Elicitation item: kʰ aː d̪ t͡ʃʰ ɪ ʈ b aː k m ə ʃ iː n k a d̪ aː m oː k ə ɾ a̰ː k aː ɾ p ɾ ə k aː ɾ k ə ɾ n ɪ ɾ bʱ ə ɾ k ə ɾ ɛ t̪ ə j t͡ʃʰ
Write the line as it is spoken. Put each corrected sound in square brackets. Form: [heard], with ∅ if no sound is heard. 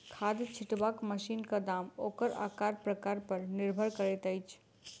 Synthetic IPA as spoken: kʰ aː d̪ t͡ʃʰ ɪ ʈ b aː k m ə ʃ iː n k a d̪ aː m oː k ə ɾ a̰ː k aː ɾ p ɾ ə k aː ɾ [p] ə ɾ n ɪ ɾ bʱ ə ɾ k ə ɾ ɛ t̪ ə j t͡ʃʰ

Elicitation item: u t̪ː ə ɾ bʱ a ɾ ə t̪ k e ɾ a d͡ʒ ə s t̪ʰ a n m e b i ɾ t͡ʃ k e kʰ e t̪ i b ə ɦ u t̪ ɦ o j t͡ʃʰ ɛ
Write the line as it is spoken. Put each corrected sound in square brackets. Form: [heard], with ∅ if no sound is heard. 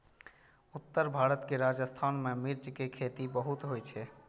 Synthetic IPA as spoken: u t̪ː ə ɾ bʱ a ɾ ə t̪ k e ɾ a d͡ʒ ə s t̪ʰ a n m e [m] i ɾ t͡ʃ k e kʰ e t̪ i b ə ɦ u t̪ ɦ o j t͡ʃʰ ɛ

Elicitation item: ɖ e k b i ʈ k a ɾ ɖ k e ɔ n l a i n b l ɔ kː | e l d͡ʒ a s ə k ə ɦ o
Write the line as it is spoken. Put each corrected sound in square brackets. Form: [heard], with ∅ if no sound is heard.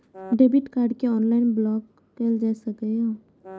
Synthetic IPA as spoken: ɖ e [∅] b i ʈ k a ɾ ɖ k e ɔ n l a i n b l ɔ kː | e l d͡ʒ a s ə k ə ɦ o

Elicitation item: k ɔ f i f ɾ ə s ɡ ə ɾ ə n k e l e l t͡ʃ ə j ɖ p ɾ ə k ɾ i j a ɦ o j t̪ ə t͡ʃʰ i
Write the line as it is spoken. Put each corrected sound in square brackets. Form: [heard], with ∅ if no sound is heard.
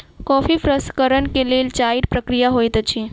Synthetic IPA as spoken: k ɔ f i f ɾ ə s [k] ə ɾ ə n k e l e l t͡ʃ [a] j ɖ p ɾ ə k ɾ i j a ɦ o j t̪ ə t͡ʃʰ i

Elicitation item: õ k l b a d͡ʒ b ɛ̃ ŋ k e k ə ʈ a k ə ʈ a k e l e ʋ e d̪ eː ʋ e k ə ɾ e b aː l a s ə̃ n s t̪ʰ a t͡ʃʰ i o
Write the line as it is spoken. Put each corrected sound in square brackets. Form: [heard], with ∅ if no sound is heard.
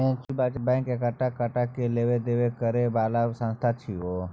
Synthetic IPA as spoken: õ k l b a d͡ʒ b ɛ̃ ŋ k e k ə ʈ a k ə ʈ a k e l e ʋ e d̪ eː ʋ e k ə ɾ e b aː l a s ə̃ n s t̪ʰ a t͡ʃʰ i o

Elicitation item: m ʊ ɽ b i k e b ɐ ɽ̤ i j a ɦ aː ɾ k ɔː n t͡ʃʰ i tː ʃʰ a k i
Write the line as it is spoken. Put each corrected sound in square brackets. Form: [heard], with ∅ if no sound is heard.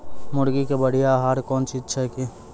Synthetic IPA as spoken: m ʊ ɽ [ɡ] i k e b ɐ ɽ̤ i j a ɦ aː ɾ k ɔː n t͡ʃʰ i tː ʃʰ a k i

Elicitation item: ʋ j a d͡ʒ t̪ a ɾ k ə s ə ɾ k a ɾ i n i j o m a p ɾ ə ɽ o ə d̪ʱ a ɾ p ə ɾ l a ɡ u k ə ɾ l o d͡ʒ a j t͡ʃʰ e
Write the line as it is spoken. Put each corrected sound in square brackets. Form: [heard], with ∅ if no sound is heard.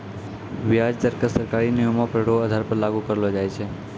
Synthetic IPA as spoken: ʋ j a d͡ʒ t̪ [ə] ɾ k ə s ə ɾ k a ɾ i n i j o m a p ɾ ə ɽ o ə d̪ʱ a ɾ p ə ɾ l a ɡ u k ə ɾ l o d͡ʒ a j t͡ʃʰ e

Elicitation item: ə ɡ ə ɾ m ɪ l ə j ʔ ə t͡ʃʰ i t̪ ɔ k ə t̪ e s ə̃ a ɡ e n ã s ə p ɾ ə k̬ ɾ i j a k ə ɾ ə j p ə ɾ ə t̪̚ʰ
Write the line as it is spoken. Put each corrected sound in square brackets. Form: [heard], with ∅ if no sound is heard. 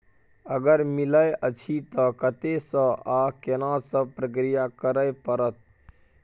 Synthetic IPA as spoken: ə ɡ ə ɾ m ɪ l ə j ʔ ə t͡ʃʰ i t̪ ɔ k ə t̪ e s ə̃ a [k] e n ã s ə p ɾ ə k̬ ɾ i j a k ə ɾ ə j p ə ɾ ə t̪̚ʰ

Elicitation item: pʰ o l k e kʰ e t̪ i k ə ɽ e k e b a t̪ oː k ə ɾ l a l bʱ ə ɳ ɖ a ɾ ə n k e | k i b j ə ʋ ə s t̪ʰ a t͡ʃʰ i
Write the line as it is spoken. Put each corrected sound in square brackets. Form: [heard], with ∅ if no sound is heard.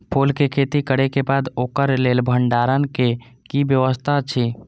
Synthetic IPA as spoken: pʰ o l k e kʰ e t̪ i k ə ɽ e k e b a [d̪] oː k ə ɾ l [e] l bʱ ə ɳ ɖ a ɾ ə n k e | k i b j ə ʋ ə s t̪ʰ a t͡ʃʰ i

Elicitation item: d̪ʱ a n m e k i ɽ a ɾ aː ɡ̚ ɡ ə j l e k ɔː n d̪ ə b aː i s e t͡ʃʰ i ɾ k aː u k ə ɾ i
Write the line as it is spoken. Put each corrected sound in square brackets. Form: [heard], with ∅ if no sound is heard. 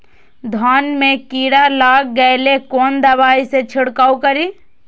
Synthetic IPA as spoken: d̪ʱ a n m e k i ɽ a [l] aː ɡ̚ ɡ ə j l e k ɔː n d̪ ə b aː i s e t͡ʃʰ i [ɽ] k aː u k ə ɾ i

